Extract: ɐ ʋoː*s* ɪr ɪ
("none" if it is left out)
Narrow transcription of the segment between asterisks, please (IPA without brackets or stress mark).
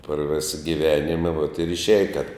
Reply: t